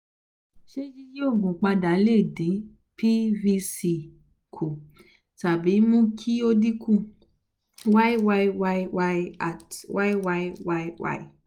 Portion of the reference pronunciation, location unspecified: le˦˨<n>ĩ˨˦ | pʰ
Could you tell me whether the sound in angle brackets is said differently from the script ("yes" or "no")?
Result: yes